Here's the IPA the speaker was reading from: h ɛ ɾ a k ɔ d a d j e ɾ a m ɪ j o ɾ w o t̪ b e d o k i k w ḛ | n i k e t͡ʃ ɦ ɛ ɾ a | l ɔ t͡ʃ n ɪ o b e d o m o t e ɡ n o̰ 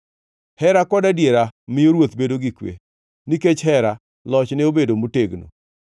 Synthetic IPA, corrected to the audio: h ɛ ɾ a k ɔ d a d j e ɾ a m ɪ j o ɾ w o t̪ b e d o ɡ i k w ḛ | n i k e t͡ʃ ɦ ɛ ɾ a | l ɔ t͡ʃ n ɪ o b e d o m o t e ɡ n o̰